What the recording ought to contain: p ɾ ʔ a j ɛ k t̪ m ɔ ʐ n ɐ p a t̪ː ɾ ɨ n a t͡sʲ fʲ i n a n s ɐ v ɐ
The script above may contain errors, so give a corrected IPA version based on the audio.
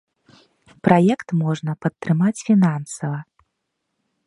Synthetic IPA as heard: p ɾ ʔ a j ɛ k t̪ m ɔ ʐ n ɐ p ɐ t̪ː ɾ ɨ m a t͡sʲ fʲ i n a n s ɐ v ɐ